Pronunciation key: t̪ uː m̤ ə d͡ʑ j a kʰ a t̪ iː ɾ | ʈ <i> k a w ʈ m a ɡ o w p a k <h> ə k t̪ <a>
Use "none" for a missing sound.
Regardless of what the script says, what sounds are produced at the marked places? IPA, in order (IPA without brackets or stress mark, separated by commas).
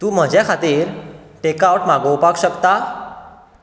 e, ɕ, a